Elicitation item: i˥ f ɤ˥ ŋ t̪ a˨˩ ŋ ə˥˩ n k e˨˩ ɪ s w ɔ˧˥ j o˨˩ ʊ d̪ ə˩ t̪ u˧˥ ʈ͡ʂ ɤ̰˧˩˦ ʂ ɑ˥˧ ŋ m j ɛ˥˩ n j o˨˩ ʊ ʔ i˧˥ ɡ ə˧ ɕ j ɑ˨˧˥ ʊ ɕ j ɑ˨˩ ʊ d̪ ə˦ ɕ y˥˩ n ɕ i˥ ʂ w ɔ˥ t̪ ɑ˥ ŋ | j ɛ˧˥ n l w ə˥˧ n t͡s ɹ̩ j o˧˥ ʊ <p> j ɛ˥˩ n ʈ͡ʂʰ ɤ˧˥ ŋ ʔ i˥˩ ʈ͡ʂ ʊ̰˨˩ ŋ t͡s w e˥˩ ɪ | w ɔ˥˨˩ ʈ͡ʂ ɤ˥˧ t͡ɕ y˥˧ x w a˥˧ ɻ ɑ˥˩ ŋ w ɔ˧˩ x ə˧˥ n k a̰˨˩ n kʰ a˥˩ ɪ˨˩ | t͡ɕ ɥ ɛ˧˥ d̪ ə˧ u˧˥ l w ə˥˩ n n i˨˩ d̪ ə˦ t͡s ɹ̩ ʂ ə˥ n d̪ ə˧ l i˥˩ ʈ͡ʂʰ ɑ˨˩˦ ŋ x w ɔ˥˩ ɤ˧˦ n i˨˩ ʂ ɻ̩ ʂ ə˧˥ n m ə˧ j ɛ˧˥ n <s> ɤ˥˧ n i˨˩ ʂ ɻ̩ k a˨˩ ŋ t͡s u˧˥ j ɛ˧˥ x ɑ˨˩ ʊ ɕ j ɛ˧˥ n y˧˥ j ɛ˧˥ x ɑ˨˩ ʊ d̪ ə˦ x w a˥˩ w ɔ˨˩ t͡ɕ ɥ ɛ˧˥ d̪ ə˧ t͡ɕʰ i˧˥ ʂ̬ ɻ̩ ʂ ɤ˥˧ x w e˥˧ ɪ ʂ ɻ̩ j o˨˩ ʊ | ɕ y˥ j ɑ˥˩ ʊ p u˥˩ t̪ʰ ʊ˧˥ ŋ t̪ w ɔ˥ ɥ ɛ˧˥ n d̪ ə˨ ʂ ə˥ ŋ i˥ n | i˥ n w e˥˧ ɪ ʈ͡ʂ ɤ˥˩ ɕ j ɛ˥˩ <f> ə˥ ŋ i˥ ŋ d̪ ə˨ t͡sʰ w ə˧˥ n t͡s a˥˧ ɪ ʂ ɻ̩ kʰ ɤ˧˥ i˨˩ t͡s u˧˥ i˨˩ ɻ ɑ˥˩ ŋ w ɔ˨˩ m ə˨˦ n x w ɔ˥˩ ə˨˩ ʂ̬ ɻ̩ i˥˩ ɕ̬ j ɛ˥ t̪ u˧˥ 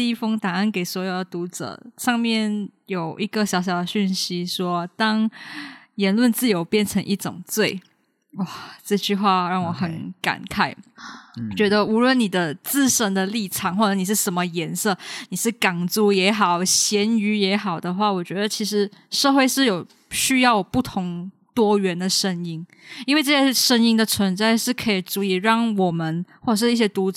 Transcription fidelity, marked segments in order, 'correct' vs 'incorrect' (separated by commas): correct, correct, incorrect